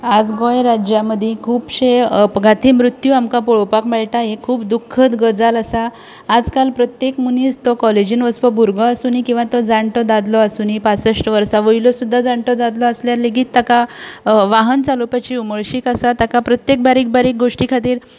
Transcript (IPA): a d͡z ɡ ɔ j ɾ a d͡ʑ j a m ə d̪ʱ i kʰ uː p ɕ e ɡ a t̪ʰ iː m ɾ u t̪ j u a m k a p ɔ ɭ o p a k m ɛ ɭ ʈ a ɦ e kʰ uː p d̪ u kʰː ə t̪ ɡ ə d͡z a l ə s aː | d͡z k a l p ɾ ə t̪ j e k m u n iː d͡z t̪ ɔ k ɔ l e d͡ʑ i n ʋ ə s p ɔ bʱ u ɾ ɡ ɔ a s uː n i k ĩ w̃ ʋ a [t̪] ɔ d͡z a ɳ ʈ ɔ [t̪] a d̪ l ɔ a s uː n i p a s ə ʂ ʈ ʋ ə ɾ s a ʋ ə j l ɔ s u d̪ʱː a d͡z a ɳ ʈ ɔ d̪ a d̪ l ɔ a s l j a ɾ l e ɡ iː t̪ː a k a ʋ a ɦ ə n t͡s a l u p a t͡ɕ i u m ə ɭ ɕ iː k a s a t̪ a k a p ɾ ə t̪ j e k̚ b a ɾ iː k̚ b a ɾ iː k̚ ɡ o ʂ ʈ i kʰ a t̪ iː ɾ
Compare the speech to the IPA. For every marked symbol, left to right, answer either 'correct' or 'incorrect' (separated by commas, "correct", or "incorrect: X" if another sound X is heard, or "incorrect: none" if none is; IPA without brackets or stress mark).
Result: correct, incorrect: d̪